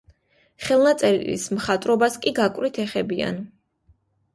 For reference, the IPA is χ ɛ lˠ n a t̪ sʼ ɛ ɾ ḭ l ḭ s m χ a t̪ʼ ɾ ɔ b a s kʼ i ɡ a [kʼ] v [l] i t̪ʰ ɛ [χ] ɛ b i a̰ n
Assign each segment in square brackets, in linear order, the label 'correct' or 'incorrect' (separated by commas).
correct, incorrect, correct